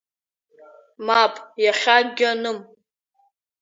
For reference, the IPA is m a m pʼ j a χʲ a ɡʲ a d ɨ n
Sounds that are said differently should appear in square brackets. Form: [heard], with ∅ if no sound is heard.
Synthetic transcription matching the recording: m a [∅] pʼ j a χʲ a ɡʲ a [n] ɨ [m]